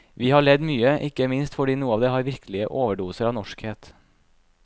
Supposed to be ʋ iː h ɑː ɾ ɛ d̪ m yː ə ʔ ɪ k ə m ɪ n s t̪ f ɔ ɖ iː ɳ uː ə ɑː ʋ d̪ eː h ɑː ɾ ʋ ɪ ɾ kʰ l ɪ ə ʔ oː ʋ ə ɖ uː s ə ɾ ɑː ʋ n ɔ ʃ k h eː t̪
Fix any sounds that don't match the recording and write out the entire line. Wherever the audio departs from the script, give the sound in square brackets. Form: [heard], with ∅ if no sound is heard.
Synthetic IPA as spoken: ʋ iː h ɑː [ɭ] ɛ d̪ m yː ə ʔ ɪ k ə m ɪ n s t̪ f ɔ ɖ iː [n] uː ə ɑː ʋ d̪ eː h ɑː ɾ ʋ ɪ ɾ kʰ l ɪ ə ʔ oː ʋ ə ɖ uː s ə ɾ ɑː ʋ n ɔ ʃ k h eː t̪